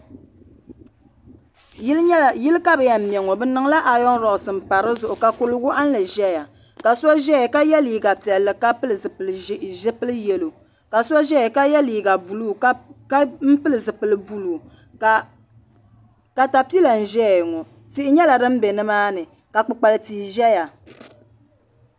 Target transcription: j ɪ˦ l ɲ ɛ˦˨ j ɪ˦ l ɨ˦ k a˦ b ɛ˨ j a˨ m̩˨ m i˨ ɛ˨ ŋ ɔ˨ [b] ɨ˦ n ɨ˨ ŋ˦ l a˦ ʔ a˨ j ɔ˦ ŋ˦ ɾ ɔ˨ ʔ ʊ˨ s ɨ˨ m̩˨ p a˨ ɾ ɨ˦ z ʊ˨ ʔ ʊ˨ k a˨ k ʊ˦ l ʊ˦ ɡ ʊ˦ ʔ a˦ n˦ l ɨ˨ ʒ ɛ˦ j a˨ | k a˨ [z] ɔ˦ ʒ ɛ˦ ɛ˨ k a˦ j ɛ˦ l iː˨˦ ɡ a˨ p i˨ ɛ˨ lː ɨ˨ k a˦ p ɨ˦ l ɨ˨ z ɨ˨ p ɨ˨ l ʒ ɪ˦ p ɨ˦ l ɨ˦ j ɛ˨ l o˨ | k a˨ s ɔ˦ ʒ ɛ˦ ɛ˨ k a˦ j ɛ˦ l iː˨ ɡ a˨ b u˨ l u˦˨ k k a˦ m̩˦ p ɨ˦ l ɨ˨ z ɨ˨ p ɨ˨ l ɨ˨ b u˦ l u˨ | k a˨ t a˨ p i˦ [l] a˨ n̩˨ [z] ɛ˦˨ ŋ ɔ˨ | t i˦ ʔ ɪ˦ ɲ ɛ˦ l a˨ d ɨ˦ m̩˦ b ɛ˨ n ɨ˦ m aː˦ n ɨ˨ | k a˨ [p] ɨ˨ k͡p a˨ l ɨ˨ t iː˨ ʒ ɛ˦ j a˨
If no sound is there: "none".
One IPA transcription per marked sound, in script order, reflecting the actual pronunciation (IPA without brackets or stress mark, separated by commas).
b, s, l, ʒ, k͡p